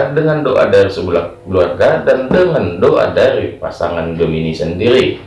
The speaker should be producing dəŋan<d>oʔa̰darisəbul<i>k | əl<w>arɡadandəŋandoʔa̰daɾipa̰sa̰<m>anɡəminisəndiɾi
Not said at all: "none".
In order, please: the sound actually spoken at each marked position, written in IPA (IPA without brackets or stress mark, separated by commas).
d, a, u, ŋ